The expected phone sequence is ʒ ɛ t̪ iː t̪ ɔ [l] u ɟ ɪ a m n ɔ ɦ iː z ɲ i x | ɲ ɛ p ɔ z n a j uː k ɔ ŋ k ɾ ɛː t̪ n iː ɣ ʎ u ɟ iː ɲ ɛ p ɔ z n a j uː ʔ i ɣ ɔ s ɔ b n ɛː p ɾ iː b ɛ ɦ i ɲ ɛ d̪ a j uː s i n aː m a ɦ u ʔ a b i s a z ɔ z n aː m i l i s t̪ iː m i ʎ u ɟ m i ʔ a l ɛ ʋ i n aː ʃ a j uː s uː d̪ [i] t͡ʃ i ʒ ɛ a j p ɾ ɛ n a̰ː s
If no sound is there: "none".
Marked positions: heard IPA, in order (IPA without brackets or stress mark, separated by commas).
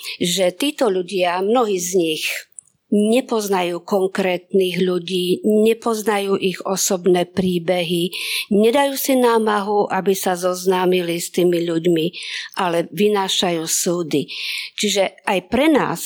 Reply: ʎ, i